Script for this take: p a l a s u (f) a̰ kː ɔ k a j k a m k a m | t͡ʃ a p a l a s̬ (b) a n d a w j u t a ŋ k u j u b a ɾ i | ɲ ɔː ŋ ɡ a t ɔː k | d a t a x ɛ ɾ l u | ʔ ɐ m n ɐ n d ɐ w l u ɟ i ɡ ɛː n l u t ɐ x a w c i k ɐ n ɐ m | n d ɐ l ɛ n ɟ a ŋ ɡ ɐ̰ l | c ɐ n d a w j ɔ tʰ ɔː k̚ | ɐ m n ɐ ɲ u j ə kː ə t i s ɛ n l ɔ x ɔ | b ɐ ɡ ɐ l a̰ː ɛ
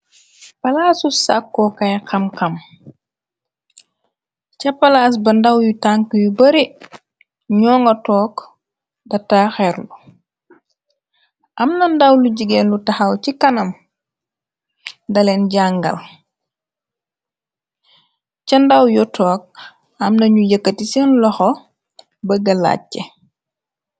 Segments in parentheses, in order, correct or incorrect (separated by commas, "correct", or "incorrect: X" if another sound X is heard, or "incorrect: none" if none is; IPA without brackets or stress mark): incorrect: s, correct